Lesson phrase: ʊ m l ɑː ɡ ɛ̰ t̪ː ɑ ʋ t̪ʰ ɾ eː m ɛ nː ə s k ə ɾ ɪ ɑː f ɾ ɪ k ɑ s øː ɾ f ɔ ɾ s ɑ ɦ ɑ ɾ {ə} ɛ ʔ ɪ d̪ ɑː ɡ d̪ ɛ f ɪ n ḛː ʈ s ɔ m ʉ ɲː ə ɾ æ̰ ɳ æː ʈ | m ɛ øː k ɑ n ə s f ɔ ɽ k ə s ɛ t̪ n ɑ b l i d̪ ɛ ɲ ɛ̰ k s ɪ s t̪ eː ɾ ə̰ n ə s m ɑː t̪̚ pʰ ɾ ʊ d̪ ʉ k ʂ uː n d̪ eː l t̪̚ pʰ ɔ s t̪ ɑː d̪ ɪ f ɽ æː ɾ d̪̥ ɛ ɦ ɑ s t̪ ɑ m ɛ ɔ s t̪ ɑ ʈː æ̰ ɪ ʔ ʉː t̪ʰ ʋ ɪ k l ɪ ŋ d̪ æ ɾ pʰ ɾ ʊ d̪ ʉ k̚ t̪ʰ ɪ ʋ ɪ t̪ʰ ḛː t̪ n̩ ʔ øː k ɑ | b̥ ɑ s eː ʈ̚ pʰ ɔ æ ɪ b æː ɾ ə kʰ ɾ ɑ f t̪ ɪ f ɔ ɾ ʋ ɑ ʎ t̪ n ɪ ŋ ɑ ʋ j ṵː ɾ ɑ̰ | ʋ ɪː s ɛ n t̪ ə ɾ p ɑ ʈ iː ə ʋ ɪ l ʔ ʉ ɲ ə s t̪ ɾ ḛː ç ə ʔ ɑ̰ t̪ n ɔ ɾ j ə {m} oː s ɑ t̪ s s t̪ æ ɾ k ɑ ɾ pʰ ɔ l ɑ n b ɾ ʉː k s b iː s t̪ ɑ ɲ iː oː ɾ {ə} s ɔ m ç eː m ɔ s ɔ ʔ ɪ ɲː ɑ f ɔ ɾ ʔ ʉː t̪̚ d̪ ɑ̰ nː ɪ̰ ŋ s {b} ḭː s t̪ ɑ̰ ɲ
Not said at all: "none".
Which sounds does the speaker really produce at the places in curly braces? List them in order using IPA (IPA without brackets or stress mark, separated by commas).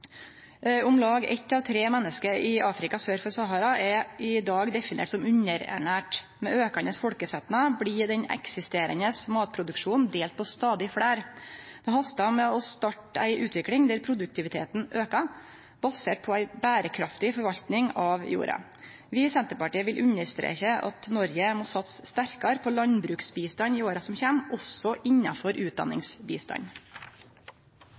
ɑ, m, ɑ, b